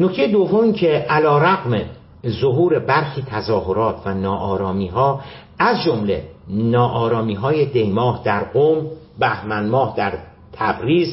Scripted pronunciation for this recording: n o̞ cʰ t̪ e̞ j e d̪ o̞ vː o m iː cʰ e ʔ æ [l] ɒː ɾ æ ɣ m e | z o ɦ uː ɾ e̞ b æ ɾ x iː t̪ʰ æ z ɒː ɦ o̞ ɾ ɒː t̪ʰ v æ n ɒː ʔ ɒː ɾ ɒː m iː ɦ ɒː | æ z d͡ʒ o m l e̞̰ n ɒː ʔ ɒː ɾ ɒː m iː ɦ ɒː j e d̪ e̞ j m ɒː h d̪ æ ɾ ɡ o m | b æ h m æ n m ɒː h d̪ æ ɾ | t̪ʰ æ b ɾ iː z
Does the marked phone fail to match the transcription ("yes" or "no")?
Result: no